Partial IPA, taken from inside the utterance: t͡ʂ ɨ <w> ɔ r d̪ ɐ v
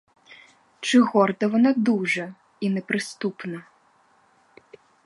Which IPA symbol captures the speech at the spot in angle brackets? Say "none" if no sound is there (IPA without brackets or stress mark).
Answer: ɣ